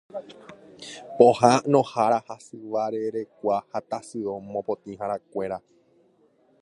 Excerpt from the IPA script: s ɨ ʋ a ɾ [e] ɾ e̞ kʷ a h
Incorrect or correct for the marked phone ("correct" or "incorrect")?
correct